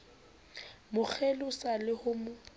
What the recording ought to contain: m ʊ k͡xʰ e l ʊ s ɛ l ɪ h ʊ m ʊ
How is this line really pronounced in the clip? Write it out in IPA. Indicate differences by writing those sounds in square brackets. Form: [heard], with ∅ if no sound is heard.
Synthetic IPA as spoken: m ʊ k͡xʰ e l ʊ s [a] l ɪ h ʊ m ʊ